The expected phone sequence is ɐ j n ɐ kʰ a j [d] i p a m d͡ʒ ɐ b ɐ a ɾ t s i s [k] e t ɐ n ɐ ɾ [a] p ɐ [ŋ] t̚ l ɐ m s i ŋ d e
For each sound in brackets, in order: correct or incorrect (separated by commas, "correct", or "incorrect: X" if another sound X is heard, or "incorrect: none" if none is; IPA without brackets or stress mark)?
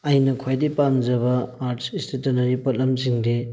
correct, incorrect: t, incorrect: i, incorrect: none